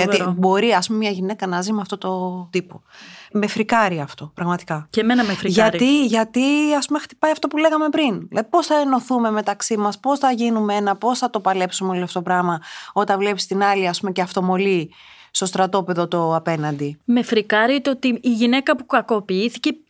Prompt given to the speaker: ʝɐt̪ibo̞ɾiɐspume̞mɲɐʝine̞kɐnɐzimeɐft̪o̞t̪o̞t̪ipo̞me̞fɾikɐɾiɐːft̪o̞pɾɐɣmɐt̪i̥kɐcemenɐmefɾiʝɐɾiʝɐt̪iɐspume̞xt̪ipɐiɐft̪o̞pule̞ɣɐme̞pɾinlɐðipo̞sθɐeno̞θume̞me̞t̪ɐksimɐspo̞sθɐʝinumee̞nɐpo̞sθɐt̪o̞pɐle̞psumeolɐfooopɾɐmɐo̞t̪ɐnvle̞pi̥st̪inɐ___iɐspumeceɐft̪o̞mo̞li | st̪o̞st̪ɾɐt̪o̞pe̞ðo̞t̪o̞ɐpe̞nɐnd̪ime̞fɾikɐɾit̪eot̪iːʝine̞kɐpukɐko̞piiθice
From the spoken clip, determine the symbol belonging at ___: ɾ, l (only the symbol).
l